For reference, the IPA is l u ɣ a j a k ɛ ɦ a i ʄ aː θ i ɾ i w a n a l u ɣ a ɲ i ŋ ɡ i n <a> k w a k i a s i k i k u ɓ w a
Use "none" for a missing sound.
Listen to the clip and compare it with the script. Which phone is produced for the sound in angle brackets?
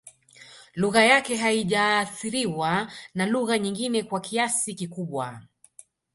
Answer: ɛ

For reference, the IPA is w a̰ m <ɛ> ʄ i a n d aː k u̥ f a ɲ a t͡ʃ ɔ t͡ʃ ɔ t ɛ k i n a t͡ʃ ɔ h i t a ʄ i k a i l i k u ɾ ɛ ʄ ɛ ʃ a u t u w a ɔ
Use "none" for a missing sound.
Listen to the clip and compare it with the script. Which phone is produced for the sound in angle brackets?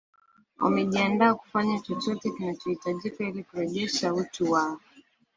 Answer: ɛ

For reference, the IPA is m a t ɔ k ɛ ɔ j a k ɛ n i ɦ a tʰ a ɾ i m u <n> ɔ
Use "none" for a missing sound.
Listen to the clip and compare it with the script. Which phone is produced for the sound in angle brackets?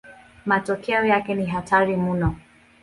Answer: n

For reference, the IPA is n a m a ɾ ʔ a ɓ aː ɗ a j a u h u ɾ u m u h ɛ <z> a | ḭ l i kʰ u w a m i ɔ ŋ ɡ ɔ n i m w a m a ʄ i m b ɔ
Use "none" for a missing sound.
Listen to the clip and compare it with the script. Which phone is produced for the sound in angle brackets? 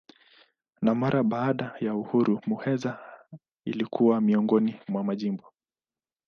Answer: z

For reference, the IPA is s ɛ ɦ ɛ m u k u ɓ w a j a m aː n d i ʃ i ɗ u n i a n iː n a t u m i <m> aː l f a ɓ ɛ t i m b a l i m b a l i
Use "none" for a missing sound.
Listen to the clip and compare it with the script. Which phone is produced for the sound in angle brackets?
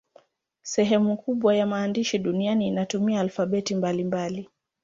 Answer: none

